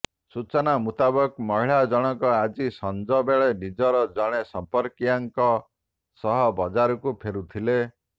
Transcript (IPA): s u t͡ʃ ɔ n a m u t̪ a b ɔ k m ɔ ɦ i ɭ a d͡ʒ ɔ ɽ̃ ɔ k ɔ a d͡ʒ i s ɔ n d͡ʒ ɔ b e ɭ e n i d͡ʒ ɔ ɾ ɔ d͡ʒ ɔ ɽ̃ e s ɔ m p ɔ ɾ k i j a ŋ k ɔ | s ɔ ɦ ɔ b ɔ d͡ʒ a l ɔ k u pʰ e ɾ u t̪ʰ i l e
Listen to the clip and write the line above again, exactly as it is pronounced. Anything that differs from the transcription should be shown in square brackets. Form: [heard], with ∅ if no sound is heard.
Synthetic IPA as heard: s u t͡ʃ ɔ n a m u t̪ a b ɔ k m ɔ ɦ i ɭ a d͡ʒ ɔ ɽ̃ ɔ k ɔ a d͡ʒ i s ɔ n d͡ʒ ɔ b e ɭ e n i d͡ʒ ɔ ɾ ɔ d͡ʒ ɔ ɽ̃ e s ɔ m p ɔ ɾ k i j a ŋ k ɔ | s ɔ ɦ ɔ b ɔ d͡ʒ a [ɾ] ɔ k u pʰ e ɾ u t̪ʰ i l e